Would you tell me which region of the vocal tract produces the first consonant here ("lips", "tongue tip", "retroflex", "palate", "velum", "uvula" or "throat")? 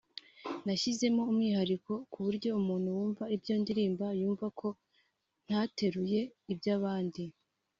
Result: tongue tip